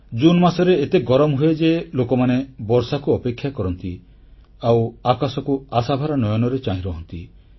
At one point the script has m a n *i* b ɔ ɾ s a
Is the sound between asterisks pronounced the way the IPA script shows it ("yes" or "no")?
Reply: no